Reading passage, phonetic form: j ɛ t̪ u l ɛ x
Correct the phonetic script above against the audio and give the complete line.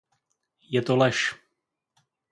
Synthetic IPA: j ɛ t̪ o l ɛ ʃ